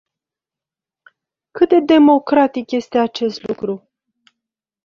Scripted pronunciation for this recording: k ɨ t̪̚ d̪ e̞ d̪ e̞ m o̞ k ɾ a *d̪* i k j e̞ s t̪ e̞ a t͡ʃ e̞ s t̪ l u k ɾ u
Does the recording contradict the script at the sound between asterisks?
yes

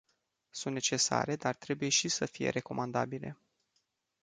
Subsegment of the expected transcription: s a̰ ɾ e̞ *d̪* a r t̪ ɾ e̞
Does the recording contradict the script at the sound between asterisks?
no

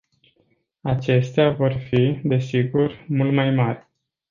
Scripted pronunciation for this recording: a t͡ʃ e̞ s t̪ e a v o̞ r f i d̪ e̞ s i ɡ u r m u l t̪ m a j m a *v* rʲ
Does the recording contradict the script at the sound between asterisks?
yes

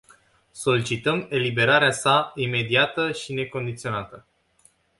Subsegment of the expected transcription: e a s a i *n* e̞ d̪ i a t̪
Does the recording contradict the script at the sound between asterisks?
yes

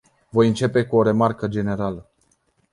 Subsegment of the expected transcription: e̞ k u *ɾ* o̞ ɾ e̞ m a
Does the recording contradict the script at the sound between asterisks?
yes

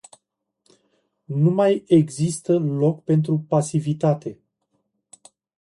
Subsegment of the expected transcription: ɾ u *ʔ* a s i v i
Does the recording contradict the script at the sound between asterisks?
yes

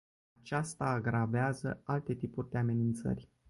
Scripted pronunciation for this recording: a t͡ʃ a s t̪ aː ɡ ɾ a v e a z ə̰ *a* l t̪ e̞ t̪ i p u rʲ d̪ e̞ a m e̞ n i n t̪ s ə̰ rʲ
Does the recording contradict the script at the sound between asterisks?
no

